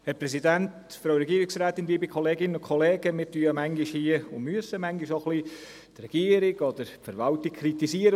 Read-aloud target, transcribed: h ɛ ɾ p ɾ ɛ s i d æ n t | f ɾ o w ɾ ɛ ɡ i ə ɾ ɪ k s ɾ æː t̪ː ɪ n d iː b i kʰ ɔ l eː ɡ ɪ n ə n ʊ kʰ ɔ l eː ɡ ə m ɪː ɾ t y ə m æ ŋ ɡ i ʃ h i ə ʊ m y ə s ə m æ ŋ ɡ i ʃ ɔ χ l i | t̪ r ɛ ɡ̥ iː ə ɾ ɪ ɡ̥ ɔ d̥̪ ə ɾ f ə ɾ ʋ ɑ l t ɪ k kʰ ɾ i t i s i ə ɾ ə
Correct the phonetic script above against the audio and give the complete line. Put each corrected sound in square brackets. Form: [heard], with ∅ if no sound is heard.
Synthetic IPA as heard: h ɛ ɾ p ɾ ɛ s i d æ n t | f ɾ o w ɾ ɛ ɡ i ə ɾ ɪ k s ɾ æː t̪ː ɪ n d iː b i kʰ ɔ l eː ɡ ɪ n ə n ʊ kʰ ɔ l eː ɡ ə m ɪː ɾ t y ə m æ ŋ ɡ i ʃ h i ə ʊ m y ə s ə m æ ŋ ɡ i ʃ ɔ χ l i | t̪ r ɛ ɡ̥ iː ə ɾ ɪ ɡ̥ ɔ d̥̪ ə ɾ f ə ɾ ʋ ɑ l t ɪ k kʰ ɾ i t i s i ə ɾ ə